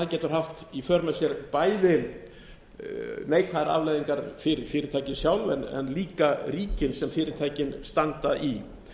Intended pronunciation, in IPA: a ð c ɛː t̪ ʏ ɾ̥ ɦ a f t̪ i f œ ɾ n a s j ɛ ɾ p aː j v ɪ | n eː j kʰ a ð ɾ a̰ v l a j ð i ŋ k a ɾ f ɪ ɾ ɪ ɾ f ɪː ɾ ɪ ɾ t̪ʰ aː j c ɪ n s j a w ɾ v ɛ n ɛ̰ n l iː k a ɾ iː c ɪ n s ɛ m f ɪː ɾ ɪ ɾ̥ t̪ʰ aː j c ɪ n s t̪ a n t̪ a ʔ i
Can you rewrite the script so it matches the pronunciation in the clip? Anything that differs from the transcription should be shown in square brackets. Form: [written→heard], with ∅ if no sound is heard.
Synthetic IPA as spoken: a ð c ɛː t̪ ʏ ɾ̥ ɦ a f t̪ i f œ ɾ n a s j ɛ ɾ p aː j [v→ð] ɪ | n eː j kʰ a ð ɾ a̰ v l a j ð i ŋ k a ɾ f ɪ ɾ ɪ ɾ f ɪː ɾ ɪ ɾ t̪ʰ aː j c ɪ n s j a w [ɾ→l] v ɛ n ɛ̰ n l iː k a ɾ iː c ɪ n s ɛ m f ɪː ɾ ɪ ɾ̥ t̪ʰ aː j c ɪ n s t̪ a n t̪ a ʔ i